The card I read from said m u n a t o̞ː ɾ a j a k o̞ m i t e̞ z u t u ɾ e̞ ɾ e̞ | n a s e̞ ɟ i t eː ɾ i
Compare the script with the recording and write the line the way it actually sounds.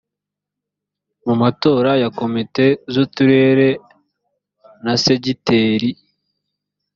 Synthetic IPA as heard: m u m a t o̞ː ɾ a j a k o̞ m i t e̞ z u t u ɾ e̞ ɾ e̞ | n a s e̞ ɟ i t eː ɾ i